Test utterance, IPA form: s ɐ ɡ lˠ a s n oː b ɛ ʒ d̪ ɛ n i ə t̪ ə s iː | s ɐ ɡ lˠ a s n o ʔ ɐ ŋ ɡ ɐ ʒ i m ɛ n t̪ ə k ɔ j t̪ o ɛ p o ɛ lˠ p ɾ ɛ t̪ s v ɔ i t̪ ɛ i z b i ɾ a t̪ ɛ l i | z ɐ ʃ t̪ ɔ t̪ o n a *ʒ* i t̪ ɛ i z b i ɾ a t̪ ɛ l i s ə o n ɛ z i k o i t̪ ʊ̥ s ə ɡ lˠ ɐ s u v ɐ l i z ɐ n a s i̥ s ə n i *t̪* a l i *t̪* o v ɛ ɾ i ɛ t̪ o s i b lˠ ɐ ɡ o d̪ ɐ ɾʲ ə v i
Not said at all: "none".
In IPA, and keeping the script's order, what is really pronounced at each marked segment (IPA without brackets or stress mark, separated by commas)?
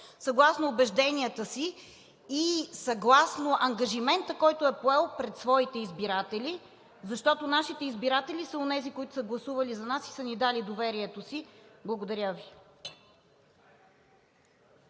ʃ, d̪, d̪